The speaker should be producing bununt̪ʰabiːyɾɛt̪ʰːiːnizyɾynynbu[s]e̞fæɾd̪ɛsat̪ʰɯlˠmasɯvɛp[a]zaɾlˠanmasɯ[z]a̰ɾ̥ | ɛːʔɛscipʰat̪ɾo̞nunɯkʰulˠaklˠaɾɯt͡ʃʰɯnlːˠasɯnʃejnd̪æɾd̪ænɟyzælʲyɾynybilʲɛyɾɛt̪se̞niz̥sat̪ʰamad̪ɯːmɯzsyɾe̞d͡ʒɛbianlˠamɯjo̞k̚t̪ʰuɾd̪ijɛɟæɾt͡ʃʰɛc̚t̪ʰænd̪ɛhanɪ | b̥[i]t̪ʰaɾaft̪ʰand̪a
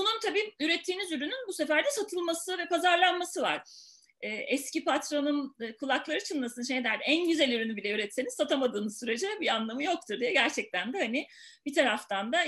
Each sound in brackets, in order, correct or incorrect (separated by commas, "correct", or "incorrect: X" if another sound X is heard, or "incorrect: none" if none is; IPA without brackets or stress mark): correct, correct, incorrect: v, correct